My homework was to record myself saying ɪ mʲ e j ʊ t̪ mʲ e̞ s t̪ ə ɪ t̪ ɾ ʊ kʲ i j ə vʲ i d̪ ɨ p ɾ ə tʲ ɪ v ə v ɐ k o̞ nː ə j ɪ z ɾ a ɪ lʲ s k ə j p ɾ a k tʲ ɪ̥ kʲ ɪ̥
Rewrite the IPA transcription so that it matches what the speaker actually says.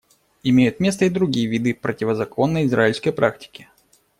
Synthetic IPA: ɪ mʲ e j ʊ t̪ mʲ e̞ s t̪ ə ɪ d̪ ɾ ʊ ɡʲ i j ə vʲ i d̪ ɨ p ɾ ə tʲ ɪ v ə z ɐ k o̞ nː ə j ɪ z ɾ a ɪ lʲ s k ə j p ɾ a k tʲ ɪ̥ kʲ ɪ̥